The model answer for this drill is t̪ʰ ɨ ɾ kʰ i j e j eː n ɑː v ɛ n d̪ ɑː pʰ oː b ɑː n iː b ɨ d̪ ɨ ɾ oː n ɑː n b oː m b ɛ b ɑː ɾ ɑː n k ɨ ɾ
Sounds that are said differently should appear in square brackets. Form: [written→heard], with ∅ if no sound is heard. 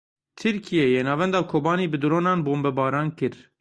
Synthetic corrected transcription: t̪ʰ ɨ ɾ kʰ i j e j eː n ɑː v ɛ n d̪ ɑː [pʰ→kʰ] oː b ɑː n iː b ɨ d̪ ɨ ɾ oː n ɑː n b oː m b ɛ b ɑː ɾ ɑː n k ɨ ɾ